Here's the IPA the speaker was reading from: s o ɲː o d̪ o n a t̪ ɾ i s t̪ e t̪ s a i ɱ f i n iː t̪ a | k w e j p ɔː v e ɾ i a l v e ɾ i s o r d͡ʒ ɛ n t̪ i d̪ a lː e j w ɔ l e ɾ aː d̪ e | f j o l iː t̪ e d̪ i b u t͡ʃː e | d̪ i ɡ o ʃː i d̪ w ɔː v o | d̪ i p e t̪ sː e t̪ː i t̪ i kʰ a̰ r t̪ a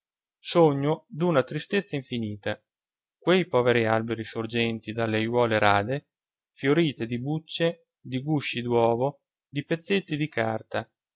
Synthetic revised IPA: s o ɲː o d̪ u n a t̪ ɾ i s t̪ e t̪ sː a i ɱ f i n iː t̪ a | k w e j p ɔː v e ɾ i a l b e ɾ i s o r d͡ʒ ɛ n t̪ i d̪ a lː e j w ɔː l e ɾ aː d̪ e | f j o ɾ iː t̪ e d̪ i b u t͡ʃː e | d̪ i ɡ u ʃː i d̪ w ɔː v o | d̪ i p e t̪ sː e t̪ː i d̪ i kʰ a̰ r t̪ a